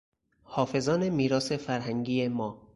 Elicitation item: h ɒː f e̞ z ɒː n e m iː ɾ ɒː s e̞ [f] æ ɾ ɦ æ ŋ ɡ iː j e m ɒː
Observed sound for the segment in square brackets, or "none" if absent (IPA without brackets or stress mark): f